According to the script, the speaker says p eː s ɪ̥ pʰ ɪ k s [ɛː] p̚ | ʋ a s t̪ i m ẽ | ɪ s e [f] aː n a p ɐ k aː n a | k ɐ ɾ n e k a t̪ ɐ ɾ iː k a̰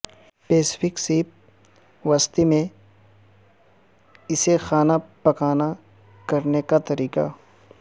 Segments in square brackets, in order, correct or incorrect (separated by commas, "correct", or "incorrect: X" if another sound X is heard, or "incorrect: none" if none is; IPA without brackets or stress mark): incorrect: iː, incorrect: x